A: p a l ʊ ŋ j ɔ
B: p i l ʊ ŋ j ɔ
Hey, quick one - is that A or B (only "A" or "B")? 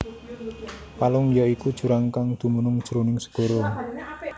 A